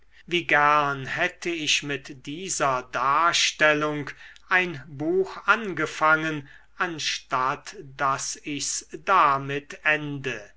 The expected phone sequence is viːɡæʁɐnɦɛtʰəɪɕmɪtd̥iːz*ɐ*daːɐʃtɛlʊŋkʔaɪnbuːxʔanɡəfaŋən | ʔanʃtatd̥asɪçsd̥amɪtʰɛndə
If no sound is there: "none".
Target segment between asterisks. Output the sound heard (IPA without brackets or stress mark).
ɐ